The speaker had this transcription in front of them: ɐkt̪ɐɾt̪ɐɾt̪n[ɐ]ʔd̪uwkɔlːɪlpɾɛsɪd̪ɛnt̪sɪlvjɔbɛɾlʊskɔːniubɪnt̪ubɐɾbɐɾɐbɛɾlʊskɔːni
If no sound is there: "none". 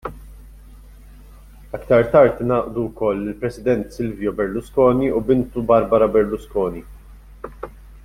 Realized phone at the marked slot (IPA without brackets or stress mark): ɐː